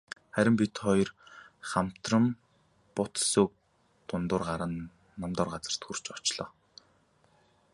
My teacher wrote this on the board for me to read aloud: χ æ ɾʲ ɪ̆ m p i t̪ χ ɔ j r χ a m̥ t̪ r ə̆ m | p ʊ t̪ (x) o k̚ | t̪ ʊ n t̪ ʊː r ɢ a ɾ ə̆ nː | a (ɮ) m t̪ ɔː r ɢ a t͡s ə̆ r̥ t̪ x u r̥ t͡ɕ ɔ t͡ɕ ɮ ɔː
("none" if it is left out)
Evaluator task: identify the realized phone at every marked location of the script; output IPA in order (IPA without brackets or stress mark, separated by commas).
s, none